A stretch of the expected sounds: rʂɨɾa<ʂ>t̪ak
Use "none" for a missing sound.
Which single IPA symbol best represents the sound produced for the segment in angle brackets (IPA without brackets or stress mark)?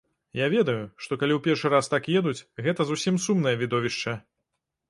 s